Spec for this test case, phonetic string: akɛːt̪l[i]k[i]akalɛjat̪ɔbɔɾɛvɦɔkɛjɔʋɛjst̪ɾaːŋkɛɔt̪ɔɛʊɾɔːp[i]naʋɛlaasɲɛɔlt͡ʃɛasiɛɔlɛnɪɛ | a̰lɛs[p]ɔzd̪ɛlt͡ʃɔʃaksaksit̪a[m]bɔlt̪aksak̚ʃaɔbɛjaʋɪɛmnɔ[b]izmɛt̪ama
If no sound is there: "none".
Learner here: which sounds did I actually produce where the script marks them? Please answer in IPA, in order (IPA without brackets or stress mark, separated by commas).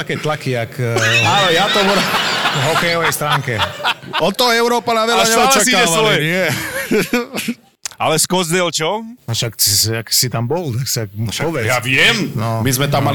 a, i, a, k, m, m